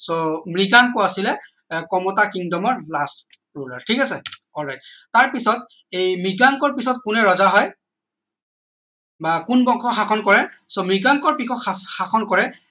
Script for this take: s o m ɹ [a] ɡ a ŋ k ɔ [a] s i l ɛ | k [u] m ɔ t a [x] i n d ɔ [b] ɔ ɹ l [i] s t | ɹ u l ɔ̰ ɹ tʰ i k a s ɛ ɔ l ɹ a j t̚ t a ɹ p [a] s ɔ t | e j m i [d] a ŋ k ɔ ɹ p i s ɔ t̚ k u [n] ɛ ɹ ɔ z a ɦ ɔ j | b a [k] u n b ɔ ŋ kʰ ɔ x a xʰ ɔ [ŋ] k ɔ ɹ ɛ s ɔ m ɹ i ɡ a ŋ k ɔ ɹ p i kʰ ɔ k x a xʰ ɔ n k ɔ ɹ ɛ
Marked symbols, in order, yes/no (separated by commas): no, yes, no, no, no, no, no, no, yes, yes, no